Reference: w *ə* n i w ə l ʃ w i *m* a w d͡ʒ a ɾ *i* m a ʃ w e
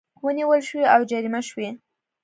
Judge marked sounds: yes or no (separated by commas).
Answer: yes, no, yes